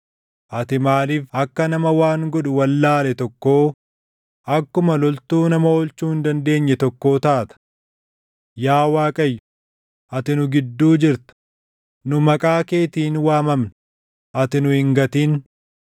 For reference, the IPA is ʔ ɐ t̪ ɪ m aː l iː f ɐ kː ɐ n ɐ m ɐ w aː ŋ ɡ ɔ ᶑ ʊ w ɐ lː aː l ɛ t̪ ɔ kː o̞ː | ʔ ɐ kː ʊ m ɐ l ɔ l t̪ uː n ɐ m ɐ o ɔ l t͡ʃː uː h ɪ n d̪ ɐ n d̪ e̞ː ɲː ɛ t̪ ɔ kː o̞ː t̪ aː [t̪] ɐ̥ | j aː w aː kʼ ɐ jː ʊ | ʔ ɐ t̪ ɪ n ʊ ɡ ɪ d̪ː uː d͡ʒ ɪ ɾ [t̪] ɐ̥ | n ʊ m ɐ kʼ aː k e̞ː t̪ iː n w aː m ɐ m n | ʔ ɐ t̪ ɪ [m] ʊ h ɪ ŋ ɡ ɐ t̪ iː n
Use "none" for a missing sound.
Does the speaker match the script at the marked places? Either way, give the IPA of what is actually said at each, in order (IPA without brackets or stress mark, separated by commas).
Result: t̪, t̪, n